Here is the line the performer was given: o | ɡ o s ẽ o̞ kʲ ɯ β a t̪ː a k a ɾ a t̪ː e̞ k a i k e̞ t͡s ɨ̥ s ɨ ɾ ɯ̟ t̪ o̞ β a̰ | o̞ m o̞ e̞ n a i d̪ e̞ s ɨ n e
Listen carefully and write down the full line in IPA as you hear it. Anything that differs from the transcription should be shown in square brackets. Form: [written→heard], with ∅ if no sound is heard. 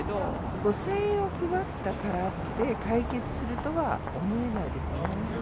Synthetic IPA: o | ɡ o s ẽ o̞ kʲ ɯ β a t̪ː a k a ɾ a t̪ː e̞ k a i k e̞ t͡s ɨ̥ s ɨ ɾ ɯ̟ t̪ o̞ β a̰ | o̞ m o̞ e̞ n a i d̪ e̞ s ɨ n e